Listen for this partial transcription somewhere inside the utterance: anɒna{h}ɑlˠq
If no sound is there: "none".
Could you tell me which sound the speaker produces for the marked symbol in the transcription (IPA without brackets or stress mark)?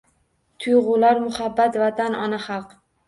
χ